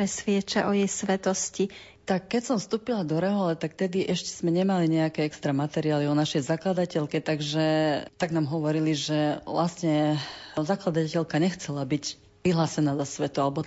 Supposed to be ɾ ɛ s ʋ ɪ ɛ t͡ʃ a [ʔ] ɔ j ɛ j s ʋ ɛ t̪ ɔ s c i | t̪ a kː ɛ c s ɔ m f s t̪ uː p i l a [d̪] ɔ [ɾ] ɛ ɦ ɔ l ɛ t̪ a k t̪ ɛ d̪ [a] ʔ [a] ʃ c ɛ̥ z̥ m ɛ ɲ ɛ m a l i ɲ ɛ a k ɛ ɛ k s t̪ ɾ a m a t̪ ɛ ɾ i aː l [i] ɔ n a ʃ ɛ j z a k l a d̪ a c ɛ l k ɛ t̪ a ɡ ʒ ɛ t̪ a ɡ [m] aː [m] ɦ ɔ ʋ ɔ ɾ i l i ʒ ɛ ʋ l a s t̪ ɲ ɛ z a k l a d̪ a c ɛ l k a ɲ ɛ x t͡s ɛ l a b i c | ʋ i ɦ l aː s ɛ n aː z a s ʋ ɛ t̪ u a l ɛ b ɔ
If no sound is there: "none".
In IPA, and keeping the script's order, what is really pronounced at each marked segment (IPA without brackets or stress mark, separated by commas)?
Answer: ʔ, d̪, ɾ, i, ɛ, i, n, m